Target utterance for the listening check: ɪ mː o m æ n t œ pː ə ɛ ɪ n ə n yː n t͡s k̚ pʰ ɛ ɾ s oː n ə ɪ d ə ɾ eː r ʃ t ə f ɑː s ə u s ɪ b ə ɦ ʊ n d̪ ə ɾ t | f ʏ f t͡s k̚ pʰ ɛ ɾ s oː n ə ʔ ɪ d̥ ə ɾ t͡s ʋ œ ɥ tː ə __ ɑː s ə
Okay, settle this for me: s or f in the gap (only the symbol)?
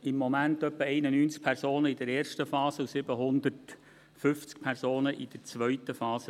f